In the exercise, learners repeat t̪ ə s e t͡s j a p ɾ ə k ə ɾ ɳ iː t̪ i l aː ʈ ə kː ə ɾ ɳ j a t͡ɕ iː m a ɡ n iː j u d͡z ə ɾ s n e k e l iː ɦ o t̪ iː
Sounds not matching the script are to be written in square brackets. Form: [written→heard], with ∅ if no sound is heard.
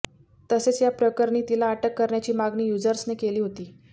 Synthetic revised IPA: t̪ ə s e t͡s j a p ɾ ə k ə ɾ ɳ iː t̪ i l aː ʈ ə kː ə ɾ ɳ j a t͡ɕ iː m a ɡ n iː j u d͡z ə ɾ s n e k e l iː ɦ o t̪ iː